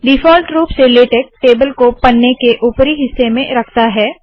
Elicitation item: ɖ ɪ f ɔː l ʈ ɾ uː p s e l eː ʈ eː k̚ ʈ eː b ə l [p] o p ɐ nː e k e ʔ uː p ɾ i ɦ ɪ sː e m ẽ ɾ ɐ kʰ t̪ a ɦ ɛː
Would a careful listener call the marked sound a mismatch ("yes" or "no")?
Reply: yes